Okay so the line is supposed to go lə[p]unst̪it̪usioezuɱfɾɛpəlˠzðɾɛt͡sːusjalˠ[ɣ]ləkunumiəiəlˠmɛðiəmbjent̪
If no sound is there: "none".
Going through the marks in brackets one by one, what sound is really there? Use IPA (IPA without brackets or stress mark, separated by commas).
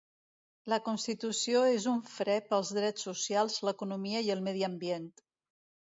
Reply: k, z